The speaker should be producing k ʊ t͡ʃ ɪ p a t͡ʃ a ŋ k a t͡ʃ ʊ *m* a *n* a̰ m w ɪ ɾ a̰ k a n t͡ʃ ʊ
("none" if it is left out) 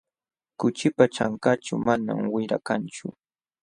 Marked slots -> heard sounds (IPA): m, n

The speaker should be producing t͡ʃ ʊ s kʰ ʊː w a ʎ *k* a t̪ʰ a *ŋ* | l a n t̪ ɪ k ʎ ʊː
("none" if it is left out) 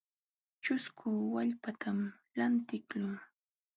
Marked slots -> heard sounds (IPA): p, m

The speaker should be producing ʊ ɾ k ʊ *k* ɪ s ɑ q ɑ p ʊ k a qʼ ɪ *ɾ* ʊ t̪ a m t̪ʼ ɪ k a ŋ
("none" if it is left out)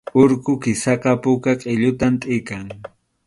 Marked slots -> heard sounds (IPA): k, ʎ

